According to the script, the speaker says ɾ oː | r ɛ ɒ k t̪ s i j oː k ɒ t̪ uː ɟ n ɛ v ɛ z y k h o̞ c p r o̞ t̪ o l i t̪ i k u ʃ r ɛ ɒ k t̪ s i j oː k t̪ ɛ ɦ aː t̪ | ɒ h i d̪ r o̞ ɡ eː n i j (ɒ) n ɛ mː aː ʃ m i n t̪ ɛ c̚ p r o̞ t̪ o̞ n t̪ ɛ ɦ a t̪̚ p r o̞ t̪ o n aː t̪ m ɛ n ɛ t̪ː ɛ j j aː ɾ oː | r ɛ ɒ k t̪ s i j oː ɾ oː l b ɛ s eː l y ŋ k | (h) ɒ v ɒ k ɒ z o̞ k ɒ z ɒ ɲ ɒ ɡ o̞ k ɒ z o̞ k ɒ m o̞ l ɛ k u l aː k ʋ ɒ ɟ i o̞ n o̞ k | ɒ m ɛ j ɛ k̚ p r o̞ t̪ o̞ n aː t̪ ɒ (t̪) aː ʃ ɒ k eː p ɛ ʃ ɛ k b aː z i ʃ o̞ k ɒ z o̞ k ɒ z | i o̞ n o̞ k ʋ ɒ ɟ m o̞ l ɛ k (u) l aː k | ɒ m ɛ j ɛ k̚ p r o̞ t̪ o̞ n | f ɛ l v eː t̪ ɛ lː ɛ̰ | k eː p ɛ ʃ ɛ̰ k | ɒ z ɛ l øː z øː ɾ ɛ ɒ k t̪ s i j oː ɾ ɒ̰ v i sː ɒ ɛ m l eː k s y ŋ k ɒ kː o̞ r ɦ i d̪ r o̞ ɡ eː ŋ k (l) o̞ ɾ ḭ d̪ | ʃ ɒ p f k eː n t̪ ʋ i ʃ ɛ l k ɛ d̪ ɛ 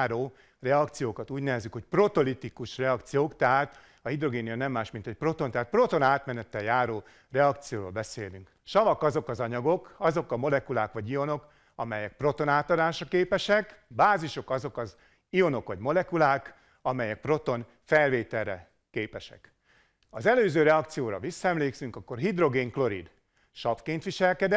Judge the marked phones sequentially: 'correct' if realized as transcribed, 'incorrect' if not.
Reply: correct, incorrect: ʃ, incorrect: d̪, correct, correct

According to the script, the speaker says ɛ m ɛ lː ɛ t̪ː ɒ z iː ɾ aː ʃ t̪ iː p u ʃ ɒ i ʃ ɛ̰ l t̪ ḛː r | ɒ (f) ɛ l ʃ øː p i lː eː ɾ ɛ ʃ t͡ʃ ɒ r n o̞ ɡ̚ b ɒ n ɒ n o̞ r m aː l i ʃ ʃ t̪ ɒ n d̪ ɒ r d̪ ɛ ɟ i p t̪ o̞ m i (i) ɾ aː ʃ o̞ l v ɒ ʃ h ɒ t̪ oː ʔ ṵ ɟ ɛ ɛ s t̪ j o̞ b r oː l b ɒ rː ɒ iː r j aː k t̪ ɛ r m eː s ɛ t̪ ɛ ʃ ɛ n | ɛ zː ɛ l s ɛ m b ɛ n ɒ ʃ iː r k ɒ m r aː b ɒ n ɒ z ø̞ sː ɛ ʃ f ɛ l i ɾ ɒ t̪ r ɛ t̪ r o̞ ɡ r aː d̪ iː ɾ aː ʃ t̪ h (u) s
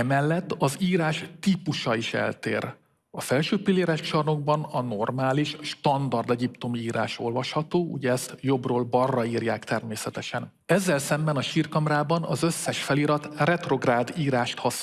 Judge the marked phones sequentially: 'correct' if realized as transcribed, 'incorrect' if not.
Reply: correct, incorrect: iː, incorrect: ɒ

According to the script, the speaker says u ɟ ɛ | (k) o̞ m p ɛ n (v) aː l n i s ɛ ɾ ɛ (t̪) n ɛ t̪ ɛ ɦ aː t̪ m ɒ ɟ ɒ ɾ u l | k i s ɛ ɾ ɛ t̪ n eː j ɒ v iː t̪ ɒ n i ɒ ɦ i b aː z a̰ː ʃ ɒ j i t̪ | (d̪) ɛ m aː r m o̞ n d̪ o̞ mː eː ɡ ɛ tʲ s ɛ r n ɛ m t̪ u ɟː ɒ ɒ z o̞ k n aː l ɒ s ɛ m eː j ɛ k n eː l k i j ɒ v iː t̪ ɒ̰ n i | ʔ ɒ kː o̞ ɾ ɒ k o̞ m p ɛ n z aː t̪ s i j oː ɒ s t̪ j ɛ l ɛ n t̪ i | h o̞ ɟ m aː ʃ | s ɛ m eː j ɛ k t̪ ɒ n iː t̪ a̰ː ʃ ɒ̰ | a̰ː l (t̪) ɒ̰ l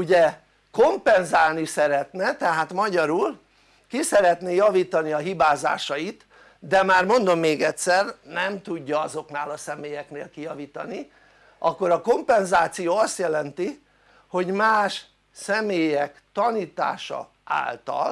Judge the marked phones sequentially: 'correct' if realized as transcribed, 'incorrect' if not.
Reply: correct, incorrect: z, correct, correct, correct

